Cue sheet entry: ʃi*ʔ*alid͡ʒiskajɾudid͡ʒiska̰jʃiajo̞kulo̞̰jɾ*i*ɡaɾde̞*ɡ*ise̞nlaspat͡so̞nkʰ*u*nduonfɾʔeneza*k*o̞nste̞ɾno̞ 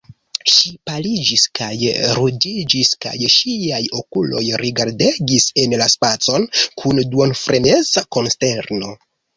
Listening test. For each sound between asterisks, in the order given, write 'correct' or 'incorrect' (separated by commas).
incorrect, correct, correct, correct, correct